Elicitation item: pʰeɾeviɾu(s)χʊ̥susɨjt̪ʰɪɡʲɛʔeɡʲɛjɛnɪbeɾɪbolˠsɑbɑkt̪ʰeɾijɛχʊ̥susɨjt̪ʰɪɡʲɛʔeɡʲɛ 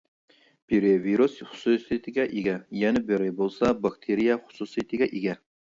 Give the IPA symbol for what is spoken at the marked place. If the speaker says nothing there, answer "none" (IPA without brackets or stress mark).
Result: s